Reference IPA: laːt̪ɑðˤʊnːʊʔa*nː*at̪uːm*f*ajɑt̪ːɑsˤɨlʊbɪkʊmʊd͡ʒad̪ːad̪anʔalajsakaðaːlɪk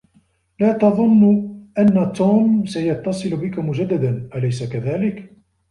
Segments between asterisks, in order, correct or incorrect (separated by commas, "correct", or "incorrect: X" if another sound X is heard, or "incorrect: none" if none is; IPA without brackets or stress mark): correct, incorrect: s